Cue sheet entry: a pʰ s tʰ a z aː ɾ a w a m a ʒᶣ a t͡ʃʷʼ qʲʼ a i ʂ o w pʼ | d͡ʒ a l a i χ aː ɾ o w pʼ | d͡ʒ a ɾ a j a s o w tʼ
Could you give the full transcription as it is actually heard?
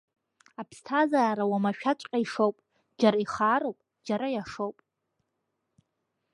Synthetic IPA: a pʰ s tʰ a z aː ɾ a w a m a ʃᶣ a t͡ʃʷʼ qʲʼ a i ʂ o w pʼ | d͡ʒ a ɾ a i χ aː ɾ o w pʼ | d͡ʒ a ɾ a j a ʂ o w pʼ